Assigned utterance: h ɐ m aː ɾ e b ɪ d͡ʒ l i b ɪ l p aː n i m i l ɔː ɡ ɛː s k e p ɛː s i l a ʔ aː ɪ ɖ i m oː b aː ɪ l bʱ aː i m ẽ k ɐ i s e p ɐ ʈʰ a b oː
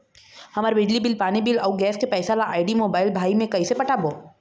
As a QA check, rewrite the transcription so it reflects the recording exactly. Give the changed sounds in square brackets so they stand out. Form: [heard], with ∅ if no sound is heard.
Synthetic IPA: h ɐ m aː ɾ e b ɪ d͡ʒ l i b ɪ l p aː n i [b] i l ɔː ɡ ɛː s k e p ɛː s [a] l a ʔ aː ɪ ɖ i m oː b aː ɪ l bʱ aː i m ẽ k ɐ i s e p ɐ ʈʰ a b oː